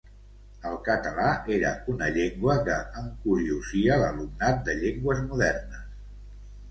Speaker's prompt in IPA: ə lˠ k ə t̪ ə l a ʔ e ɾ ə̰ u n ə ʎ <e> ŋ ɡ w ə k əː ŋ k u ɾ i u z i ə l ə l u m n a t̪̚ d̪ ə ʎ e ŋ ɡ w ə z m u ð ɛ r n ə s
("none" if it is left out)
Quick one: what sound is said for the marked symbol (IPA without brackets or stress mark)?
e